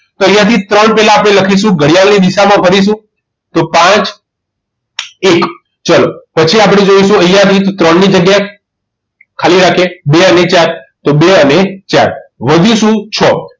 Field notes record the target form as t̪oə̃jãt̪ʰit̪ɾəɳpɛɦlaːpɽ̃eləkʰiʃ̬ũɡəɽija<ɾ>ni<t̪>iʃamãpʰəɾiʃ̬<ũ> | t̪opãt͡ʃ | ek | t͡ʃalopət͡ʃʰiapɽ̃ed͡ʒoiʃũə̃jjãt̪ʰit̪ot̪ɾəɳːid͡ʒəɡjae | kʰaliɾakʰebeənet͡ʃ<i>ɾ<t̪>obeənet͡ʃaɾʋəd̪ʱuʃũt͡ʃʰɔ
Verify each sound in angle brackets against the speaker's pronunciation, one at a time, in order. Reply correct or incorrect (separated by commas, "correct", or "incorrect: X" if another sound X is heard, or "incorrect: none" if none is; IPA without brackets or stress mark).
incorrect: l, incorrect: d̪, correct, incorrect: a, correct